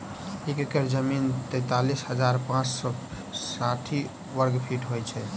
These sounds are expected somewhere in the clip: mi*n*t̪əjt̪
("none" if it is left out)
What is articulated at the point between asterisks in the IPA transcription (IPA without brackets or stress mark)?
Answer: n